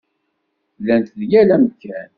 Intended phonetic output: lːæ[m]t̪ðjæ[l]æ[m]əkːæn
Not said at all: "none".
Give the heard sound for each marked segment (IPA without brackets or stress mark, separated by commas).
n, l, m